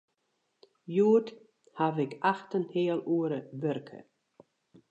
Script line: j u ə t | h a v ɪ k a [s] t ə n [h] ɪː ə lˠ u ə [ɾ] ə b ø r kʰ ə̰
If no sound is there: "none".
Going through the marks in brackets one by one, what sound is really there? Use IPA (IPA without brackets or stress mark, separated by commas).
x, h, ɾ